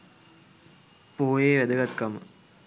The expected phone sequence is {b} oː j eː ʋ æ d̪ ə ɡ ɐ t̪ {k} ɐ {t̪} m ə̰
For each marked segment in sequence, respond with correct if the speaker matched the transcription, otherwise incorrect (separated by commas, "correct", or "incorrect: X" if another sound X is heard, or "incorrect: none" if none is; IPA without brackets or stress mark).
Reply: incorrect: p, correct, incorrect: none